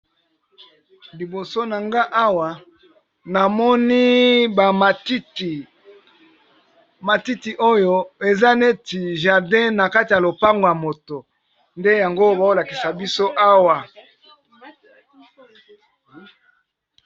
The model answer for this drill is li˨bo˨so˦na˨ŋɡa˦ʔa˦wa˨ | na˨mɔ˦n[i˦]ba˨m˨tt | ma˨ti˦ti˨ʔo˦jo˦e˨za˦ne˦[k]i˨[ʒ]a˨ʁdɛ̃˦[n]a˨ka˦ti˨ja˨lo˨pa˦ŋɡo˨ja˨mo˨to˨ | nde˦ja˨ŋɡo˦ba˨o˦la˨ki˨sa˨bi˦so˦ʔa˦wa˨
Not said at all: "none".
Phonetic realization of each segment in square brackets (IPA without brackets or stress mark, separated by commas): i˦, t, ʒ, n